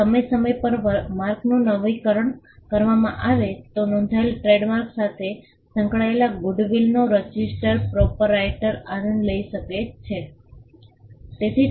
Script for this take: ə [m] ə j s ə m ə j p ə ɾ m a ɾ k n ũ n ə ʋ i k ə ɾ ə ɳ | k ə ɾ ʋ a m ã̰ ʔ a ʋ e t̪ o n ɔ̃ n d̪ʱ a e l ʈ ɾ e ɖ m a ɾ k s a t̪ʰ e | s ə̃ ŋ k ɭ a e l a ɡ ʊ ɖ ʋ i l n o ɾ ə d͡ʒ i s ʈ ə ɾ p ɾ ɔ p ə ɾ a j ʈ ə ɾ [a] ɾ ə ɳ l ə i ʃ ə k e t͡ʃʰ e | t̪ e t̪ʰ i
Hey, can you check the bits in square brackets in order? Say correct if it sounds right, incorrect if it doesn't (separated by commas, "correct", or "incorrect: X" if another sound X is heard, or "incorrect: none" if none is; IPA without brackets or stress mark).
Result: correct, correct